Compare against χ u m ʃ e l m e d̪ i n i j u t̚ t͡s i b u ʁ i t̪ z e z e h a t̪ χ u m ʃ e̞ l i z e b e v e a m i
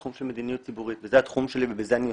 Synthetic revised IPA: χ u m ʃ e l m e d̪ i n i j u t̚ t͡s i b u ʁ i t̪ v e z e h a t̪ χ u m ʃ e̞ l i v e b e z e a n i